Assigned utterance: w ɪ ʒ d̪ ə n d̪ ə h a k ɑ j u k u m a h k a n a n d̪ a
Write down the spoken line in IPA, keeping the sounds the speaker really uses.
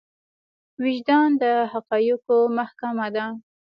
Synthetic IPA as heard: w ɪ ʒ d̪ ɑ n d̪ ə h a q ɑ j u k o m a h k a m a d̪ a